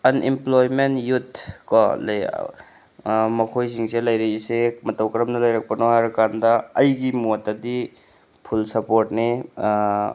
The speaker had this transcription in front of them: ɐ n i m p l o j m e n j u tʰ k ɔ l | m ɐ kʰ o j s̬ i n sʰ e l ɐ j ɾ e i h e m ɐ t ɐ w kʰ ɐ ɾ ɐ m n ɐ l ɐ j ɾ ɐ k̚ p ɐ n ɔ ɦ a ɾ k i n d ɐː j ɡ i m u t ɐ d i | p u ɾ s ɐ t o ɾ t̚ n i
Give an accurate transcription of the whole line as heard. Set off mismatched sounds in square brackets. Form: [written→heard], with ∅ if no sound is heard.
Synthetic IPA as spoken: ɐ n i m p l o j m e n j u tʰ k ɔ l | m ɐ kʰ o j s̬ i [n→ŋ] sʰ e l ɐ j ɾ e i [h→s] e m ɐ t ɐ w [kʰ→k] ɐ ɾ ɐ m n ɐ l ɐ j ɾ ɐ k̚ p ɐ n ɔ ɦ a ɾ k [i→a] n d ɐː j ɡ i m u t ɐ d i | [p→pʰ] u [ɾ→l] s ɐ [t→p] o ɾ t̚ n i